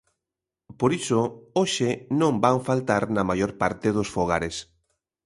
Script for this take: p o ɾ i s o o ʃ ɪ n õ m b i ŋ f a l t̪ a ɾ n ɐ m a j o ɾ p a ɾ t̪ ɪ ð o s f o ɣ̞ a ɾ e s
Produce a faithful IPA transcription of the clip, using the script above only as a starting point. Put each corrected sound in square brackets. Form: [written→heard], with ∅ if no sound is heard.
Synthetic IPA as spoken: p o ɾ i s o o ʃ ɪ n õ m b [i→a] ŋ f a l t̪ a ɾ n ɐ m a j o ɾ p a ɾ t̪ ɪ ð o s f o ɣ̞ a ɾ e s

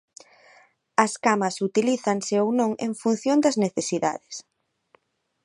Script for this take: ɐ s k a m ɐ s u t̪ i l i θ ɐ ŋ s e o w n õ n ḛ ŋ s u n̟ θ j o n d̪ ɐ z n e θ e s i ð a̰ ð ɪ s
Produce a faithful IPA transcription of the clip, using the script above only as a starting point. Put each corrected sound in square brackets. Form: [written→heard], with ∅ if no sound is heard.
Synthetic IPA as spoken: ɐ s k a m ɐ s u t̪ i l i θ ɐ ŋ s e o w n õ [n→ŋ] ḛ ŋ [s→f] u n̟ θ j o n d̪ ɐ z n e θ e s i ð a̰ ð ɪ s

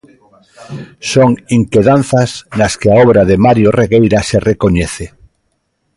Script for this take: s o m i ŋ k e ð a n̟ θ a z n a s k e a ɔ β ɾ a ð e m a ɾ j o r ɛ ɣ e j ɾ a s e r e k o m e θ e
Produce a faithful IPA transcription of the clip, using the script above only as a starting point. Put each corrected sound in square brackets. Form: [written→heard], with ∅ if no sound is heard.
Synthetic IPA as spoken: s o [m→ŋ] i ŋ k e ð a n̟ θ a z n a s k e a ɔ β ɾ a ð e m a ɾ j o r [ɛ→e] ɣ e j ɾ a s e r e k o [m→ɲ] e θ e

